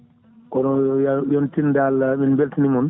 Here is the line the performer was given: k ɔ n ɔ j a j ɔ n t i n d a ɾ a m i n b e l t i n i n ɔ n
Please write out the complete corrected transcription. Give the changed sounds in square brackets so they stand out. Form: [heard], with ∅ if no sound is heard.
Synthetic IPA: k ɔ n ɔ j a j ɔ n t i n d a [l] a m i n b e l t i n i [m] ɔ n